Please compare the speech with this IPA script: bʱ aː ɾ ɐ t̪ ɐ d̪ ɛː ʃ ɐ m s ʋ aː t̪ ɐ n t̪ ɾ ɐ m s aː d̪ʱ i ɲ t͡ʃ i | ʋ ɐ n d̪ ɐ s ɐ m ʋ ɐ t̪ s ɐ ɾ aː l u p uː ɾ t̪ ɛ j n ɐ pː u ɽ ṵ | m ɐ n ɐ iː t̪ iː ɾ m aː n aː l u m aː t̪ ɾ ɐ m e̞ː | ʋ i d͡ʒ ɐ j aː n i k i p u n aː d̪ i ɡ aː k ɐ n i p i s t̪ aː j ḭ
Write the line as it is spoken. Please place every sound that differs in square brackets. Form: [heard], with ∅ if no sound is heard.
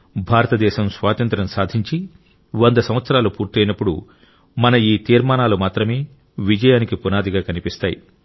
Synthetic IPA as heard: bʱ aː ɾ ɐ t̪ ɐ d̪ ɛː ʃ ɐ m s ʋ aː t̪ ɐ n t̪ ɾ ɐ m s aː d̪ʱ i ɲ t͡ʃ i | ʋ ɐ n d̪ ɐ s ɐ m ʋ ɐ t̪ s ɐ ɾ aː l u p uː ɾ t̪ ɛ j n ɐ pː u ɽ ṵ | m ɐ n ɐ iː t̪ iː ɾ m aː n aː l u m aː t̪ ɾ ɐ m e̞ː | ʋ i d͡ʒ ɐ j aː n i k i p u n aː d̪ i ɡ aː k ɐ n i p i s t̪ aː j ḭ